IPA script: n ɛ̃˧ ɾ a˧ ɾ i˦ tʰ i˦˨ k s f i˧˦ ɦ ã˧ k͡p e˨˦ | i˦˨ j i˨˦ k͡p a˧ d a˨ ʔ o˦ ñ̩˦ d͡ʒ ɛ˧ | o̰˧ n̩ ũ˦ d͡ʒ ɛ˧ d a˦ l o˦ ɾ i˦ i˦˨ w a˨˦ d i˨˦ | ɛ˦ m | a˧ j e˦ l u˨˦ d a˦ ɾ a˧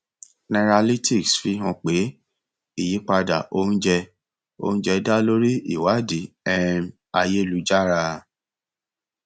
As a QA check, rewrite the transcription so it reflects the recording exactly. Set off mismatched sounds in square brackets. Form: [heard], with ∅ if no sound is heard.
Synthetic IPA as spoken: n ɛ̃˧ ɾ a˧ [l] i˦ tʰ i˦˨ k s f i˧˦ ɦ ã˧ k͡p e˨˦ | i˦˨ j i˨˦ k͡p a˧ d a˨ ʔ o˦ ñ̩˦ d͡ʒ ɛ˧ | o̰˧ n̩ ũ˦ d͡ʒ ɛ˧ d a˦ l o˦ ɾ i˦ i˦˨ w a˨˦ d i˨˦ | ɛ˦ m | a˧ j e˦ l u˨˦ [d͡ʒ] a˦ ɾ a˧